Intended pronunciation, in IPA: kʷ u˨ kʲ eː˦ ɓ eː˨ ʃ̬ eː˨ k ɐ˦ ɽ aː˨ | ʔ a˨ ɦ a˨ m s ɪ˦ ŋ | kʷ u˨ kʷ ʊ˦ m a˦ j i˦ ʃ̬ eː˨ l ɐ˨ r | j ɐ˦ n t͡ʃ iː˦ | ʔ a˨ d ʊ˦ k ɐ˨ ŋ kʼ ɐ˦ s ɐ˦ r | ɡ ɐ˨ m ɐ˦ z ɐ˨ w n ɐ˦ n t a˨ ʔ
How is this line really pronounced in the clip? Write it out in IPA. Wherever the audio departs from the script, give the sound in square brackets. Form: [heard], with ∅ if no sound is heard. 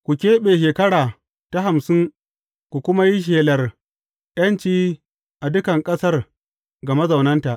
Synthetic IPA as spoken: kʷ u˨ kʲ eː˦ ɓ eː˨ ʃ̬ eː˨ k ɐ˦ ɽ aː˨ | [t] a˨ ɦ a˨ m s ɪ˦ ŋ | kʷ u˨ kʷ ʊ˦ m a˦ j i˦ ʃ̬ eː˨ l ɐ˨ r | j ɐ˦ n t͡ʃ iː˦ | ʔ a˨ d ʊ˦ k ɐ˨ ŋ kʼ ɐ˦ s ɐ˦ r | ɡ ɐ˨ m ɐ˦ z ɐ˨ w n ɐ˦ n t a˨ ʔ